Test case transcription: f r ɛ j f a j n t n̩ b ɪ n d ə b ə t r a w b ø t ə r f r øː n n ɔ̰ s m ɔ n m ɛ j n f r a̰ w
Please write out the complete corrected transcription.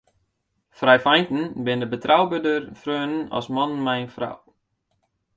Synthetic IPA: f r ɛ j f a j n t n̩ b ɪ n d ə b ə t r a w b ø d ə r f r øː n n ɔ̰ s m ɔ n m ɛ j n f r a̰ w